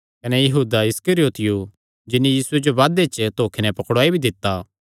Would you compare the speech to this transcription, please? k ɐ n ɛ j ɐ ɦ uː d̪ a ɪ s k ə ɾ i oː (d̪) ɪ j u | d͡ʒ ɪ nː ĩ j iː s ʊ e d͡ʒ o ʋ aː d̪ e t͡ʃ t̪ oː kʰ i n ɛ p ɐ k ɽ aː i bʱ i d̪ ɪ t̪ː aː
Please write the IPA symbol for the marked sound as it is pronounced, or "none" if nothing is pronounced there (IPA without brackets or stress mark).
t̪